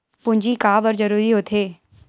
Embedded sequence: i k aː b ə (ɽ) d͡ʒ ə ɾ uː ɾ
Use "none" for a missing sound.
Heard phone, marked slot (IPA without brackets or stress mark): ɾ